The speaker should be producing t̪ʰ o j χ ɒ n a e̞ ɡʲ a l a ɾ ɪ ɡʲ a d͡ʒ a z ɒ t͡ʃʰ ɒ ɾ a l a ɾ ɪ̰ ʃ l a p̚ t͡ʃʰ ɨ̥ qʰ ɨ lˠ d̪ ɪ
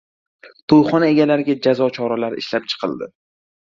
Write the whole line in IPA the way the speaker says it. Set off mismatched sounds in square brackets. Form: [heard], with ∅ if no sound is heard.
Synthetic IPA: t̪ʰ o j χ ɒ n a e̞ ɡʲ a l a ɾ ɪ ɡʲ a d͡ʒ a z ɒ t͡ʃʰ ɒ ɾ a l a ɾ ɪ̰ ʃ l a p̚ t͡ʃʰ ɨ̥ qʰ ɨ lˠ d̪ ɪ